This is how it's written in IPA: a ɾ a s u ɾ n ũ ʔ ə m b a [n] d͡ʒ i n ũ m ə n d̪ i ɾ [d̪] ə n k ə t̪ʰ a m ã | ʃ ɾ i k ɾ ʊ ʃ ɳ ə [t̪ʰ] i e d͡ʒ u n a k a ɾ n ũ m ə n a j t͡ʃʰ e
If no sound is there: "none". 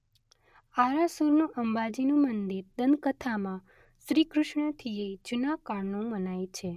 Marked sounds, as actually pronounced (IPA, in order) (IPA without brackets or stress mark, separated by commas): none, d̪, t̪ʰ